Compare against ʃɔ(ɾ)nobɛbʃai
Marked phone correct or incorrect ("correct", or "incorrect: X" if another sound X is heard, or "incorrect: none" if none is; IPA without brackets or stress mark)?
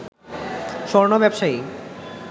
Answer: correct